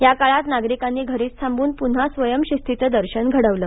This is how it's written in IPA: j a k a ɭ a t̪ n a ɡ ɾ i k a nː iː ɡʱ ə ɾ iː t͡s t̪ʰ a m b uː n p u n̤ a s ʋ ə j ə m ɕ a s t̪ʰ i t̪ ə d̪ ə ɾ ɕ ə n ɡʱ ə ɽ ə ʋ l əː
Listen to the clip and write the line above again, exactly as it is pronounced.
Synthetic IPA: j a k a ɭ a t̪ n a ɡ ɾ i k a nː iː ɡʱ ə ɾ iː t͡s t̪ʰ a m b uː n p u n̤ a s ʋ ə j ə m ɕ i s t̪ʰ i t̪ ə d̪ ə ɾ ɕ ə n ɡʱ ə ɽ ə ʋ l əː